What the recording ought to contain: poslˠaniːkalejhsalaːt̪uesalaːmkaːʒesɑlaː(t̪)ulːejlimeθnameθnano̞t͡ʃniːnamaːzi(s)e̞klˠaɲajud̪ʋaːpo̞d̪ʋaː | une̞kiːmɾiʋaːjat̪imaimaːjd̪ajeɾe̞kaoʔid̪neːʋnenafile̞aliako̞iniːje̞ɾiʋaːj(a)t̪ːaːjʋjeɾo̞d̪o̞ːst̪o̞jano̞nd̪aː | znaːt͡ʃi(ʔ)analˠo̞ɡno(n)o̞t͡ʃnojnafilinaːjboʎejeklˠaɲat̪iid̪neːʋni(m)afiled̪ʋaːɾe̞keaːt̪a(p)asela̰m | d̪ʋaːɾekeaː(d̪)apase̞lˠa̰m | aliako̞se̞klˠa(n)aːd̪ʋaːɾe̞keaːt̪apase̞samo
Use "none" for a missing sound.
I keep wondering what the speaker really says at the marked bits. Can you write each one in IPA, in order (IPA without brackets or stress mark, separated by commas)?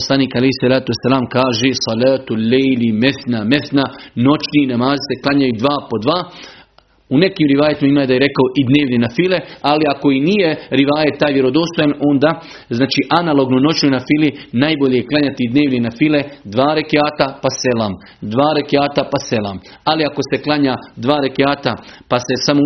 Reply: t̪, s, e, ʔ, n, n, p, t̪, ɲ